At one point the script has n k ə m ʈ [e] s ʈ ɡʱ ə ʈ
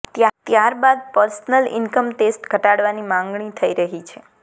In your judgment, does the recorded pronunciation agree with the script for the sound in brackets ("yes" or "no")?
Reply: yes